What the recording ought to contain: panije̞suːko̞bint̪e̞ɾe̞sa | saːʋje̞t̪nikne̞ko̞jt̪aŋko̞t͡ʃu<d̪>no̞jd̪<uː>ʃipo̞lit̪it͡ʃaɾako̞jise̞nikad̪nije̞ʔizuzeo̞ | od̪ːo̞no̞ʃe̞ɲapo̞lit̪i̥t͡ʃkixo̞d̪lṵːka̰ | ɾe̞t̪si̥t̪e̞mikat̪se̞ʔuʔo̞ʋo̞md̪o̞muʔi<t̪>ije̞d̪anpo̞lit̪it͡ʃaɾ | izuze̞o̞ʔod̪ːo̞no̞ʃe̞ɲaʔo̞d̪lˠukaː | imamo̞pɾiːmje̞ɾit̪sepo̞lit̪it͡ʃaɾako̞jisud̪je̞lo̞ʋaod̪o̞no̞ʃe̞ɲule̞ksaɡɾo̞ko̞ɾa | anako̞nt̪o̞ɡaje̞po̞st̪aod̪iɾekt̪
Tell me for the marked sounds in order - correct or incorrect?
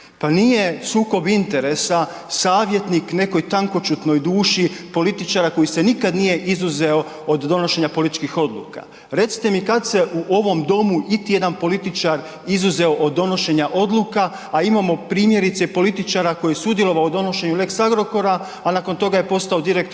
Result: incorrect: t̪, correct, correct

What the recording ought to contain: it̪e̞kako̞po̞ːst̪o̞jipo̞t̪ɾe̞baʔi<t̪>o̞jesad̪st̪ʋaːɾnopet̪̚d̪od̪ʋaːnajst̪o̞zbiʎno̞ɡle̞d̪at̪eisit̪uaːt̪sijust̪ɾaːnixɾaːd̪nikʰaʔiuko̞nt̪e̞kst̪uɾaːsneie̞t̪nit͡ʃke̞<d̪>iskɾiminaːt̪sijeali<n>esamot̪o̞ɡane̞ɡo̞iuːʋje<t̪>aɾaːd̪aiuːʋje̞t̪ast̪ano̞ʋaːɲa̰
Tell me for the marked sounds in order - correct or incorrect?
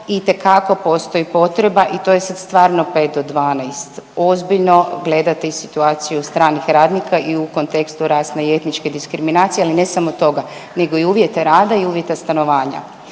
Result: correct, correct, correct, correct

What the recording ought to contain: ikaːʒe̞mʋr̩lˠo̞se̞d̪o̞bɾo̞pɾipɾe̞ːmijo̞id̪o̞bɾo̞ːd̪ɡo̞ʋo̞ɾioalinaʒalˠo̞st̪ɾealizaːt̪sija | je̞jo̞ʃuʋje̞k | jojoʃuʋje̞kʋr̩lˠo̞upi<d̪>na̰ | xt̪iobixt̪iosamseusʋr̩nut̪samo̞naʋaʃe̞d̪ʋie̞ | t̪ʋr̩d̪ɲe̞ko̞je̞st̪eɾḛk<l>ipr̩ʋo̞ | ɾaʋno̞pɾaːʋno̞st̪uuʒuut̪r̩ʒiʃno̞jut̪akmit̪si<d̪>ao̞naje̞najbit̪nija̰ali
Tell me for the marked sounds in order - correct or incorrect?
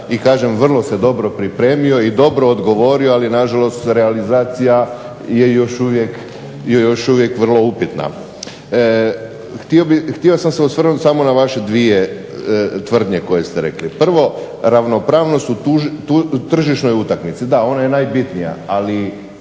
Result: incorrect: t̪, correct, correct

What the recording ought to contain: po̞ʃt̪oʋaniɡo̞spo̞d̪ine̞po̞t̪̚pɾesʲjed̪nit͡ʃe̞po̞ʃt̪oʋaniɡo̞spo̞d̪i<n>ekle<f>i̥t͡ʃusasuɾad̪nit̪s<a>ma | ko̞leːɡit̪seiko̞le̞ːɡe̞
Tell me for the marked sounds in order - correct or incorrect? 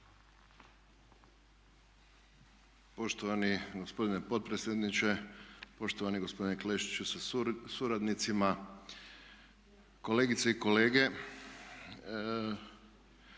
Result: correct, incorrect: ʃ, incorrect: i

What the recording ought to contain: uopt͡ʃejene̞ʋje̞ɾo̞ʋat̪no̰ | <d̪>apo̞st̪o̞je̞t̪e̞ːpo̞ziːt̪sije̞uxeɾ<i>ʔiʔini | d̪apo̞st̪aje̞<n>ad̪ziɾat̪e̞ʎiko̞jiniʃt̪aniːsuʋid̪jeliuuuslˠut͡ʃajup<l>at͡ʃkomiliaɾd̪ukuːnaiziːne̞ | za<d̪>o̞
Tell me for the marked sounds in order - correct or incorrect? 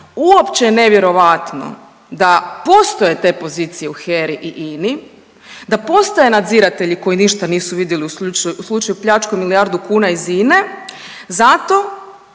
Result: correct, correct, correct, incorrect: ʎ, incorrect: t̪

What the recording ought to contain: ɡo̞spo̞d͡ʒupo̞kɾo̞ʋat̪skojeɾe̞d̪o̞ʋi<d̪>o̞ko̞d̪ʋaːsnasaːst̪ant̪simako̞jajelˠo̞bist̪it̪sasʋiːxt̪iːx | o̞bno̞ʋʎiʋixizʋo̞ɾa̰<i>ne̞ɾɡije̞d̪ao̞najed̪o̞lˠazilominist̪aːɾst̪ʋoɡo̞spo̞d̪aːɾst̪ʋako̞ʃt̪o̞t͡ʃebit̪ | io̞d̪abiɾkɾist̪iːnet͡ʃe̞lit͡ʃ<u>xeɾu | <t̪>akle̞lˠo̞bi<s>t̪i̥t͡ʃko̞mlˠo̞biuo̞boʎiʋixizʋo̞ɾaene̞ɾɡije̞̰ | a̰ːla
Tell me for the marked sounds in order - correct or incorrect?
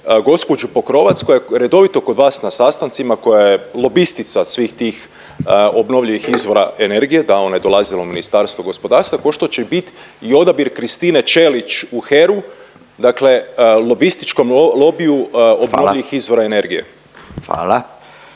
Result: incorrect: t̪, incorrect: e, correct, incorrect: d̪, correct

